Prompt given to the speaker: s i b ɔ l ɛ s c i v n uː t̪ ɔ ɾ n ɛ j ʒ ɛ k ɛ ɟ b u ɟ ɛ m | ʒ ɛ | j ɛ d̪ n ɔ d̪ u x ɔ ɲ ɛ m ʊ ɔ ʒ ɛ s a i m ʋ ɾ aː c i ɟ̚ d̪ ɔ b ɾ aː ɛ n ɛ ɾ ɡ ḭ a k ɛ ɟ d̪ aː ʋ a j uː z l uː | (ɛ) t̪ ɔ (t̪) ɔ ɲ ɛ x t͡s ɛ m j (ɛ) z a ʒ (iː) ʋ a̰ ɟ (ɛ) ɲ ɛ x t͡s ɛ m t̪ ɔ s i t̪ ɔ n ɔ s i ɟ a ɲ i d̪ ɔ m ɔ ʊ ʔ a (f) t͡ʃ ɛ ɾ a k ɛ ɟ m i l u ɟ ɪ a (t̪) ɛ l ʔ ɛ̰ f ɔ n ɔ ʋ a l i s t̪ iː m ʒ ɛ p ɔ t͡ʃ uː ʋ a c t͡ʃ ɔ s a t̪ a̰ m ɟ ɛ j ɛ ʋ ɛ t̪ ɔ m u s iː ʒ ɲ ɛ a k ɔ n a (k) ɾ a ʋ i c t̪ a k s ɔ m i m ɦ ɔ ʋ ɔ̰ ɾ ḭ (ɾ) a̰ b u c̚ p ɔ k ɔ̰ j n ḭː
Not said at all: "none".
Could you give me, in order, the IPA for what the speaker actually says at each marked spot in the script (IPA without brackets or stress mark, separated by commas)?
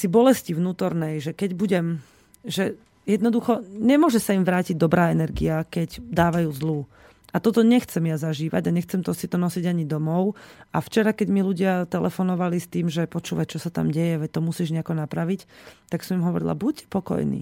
a, t̪, a, iː, a, f, t̪, p, l